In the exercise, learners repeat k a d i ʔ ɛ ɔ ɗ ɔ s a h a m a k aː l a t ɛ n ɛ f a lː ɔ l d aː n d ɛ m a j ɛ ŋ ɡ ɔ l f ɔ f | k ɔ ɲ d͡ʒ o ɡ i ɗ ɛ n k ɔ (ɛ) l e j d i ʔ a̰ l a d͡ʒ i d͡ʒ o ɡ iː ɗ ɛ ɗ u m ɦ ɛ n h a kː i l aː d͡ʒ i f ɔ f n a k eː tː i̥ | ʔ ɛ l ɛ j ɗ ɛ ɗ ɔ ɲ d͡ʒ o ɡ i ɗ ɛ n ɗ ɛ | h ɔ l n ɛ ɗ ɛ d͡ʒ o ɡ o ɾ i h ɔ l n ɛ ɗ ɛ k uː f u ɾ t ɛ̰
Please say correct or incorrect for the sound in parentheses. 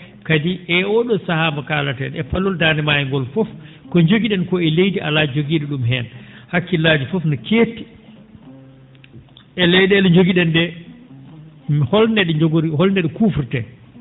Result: correct